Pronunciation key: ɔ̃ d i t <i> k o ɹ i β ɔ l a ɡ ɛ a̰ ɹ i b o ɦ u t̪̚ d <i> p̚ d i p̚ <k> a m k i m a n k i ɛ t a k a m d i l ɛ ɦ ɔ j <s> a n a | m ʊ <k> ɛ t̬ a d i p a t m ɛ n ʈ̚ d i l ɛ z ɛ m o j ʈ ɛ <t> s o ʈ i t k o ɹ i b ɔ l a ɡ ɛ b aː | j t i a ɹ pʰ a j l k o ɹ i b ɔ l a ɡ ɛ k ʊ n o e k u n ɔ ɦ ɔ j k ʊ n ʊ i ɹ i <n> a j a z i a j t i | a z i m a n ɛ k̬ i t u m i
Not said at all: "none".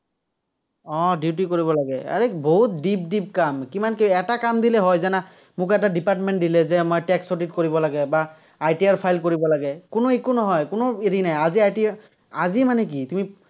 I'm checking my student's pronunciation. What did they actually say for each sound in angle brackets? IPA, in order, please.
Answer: i, i, k, z, k, k, n

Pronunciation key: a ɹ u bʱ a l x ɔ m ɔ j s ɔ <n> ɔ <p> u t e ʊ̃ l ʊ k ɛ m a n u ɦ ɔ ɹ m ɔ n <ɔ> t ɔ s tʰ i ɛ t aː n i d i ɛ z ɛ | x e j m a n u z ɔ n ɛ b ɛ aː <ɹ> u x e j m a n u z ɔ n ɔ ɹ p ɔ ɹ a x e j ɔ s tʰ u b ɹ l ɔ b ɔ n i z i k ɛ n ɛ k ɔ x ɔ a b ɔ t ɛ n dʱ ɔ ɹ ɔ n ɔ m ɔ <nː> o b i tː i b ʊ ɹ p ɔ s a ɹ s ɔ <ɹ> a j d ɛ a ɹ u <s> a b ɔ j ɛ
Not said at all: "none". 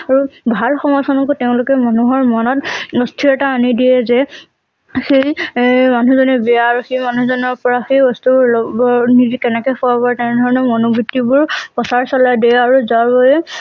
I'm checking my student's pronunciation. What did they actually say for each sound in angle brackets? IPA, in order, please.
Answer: n, k, ɔ, ɹ, n, l, z

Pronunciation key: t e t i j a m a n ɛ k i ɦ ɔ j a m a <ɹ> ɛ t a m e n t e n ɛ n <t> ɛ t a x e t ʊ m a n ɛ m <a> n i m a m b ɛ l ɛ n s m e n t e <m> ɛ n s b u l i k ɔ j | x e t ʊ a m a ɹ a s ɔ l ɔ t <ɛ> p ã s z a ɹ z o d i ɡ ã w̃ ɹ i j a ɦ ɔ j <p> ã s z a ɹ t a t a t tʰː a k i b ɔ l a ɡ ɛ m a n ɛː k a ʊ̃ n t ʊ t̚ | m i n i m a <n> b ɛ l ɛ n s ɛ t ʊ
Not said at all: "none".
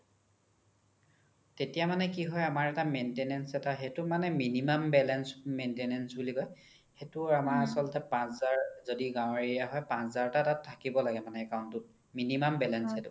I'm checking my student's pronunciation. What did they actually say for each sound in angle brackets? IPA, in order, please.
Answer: ɹ, s, i, n, ɛ, p, m

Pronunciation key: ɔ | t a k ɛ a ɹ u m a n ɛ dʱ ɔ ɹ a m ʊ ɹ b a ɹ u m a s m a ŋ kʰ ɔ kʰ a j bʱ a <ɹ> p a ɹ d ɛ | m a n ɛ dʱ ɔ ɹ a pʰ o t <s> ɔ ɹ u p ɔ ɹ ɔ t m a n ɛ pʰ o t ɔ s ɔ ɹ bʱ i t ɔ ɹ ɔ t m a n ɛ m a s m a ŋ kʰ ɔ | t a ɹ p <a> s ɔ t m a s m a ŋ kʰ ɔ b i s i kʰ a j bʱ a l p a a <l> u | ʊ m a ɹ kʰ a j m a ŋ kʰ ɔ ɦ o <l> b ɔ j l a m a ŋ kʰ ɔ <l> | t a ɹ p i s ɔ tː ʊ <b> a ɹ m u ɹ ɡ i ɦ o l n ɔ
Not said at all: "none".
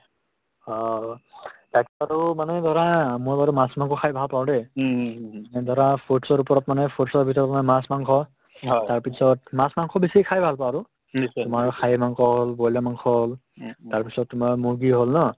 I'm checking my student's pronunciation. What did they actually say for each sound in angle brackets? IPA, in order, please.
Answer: l, s, i, ɹ, l, l, m

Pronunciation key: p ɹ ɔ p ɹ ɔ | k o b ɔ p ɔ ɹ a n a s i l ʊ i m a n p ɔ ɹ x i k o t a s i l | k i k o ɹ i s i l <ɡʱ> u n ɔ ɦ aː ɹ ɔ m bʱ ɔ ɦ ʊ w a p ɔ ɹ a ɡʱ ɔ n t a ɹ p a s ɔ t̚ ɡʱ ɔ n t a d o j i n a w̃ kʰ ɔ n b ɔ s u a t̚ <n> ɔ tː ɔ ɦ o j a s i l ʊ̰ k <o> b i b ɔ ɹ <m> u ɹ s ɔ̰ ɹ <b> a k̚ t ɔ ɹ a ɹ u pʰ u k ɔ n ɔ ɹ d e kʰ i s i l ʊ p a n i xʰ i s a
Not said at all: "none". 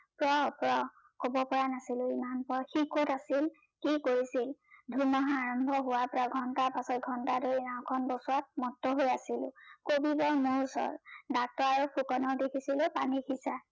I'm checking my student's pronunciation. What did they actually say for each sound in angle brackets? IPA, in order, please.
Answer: dʱ, m, o, m, d

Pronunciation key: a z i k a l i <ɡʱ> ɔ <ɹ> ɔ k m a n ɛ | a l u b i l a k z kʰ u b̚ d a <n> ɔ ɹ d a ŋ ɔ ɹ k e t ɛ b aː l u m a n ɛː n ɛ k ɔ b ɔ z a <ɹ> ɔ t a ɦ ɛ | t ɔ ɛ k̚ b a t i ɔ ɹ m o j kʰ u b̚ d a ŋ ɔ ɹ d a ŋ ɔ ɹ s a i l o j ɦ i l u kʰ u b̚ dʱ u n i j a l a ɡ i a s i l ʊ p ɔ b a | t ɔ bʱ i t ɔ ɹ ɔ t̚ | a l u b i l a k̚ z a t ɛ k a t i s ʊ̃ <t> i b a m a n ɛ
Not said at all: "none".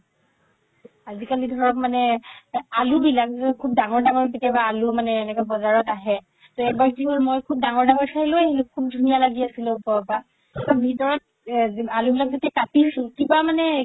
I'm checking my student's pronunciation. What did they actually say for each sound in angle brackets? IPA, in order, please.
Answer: dʱ, ɹ, ŋ, ɹ, k

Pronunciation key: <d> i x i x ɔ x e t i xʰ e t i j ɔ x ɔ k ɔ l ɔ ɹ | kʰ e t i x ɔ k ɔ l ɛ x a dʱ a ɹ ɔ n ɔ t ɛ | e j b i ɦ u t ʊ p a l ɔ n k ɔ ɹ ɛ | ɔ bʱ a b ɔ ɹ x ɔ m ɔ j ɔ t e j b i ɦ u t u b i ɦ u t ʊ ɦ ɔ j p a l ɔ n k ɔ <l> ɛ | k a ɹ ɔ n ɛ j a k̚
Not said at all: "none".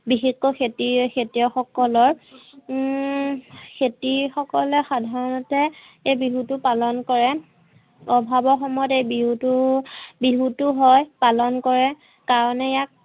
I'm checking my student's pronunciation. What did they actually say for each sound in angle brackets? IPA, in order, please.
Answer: b, ɹ

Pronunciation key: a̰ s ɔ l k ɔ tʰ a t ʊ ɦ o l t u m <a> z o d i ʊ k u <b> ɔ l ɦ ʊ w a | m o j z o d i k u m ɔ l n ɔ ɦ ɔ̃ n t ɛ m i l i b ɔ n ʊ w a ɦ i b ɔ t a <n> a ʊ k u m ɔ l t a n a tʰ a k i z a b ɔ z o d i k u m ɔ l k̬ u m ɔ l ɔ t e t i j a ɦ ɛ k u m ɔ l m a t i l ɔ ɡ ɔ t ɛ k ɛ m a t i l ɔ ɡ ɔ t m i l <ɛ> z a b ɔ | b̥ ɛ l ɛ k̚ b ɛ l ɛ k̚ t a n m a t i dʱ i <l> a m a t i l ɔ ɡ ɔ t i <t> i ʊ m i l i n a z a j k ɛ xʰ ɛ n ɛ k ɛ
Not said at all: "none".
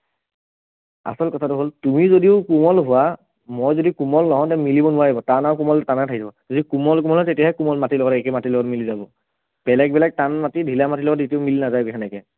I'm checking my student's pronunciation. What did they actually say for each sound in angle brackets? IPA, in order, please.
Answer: i, m, n, i, l, t

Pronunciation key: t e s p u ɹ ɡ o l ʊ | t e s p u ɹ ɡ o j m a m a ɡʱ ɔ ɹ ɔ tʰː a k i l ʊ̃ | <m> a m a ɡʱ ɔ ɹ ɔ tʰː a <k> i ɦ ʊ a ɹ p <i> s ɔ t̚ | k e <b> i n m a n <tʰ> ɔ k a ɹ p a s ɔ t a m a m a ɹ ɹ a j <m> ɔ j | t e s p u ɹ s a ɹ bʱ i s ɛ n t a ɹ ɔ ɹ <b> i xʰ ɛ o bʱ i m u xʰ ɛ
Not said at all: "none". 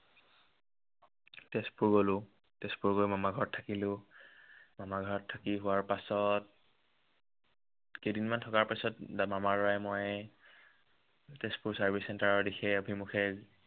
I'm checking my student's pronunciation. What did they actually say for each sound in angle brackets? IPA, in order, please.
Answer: m, k, a, d, tʰ, m, d

